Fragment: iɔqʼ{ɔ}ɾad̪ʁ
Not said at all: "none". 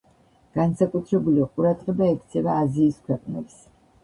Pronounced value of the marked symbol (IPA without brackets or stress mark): u